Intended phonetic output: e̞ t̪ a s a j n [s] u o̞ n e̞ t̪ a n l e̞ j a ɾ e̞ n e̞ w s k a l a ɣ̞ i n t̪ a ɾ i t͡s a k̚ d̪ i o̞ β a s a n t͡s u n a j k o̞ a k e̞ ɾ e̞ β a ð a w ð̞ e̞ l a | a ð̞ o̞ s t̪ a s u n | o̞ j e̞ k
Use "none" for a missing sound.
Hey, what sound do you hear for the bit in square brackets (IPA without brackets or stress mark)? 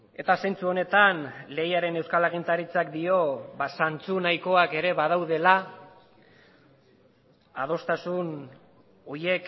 t͡s